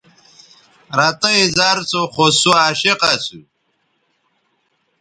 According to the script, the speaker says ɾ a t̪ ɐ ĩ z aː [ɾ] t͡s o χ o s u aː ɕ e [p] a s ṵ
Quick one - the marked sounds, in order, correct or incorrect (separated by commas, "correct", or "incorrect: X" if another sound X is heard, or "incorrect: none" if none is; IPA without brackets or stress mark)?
correct, incorrect: q